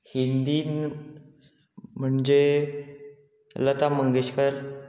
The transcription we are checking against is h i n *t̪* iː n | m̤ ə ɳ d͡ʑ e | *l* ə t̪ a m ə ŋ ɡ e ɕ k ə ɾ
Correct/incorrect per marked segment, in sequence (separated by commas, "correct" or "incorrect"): incorrect, correct